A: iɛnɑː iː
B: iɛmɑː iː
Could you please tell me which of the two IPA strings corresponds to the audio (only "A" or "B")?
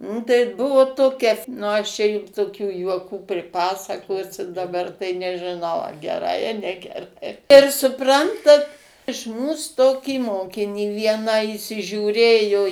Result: A